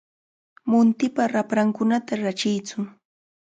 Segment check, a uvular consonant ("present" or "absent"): absent